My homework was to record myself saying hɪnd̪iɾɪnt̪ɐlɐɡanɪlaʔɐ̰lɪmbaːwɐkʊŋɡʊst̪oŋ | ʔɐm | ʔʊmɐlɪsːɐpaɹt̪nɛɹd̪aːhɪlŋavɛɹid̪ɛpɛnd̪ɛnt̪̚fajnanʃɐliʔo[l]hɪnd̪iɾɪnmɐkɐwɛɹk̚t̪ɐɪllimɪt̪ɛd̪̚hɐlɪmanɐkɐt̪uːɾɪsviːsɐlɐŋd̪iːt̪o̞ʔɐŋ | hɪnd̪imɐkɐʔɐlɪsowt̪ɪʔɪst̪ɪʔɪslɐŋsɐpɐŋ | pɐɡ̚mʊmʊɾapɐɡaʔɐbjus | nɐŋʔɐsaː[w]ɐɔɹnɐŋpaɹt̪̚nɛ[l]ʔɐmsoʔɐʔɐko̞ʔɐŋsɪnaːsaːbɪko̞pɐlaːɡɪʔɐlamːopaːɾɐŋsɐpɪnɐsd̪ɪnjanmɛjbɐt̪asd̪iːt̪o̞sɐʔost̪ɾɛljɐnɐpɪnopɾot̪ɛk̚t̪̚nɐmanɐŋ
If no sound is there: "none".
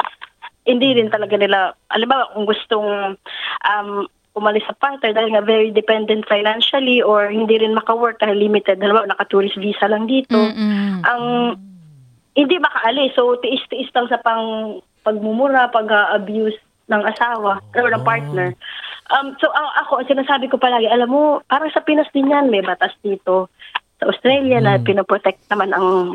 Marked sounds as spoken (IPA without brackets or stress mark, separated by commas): ɹ, w, ɹ